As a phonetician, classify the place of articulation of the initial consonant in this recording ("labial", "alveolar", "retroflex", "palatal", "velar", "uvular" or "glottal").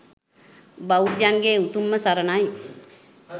labial